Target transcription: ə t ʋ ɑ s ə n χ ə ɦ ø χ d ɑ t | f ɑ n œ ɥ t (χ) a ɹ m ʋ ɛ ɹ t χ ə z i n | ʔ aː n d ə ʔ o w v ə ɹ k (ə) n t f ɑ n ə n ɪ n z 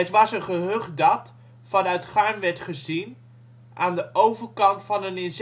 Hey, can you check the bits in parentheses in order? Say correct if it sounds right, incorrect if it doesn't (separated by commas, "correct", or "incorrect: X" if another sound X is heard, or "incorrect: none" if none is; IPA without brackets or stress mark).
correct, incorrect: ɑ